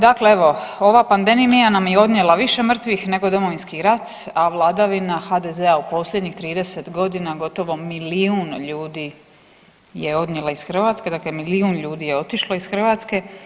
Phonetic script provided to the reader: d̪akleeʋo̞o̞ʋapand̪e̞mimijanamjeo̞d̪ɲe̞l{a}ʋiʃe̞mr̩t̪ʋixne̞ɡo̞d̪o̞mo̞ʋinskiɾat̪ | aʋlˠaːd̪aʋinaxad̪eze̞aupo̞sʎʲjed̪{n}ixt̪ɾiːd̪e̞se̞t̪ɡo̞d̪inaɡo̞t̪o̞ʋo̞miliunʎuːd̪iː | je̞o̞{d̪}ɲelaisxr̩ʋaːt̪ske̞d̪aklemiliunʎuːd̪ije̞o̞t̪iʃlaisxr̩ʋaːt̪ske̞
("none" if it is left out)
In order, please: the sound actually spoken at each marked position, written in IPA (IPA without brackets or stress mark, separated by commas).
a, ɲ, d̪